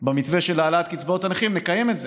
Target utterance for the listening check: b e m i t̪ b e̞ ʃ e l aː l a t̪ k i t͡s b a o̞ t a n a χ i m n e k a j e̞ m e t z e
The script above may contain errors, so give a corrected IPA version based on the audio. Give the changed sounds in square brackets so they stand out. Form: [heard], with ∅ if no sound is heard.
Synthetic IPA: b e m i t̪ [v] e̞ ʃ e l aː l a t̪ k i t͡s b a o̞ t a n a χ i m n e k a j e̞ m e t z e